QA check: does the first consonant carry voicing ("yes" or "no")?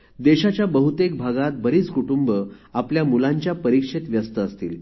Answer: yes